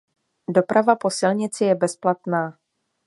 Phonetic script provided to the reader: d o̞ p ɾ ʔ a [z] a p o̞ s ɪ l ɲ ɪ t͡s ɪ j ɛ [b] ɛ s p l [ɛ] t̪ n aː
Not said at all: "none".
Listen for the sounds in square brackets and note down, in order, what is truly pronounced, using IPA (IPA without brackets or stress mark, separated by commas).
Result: v, b, a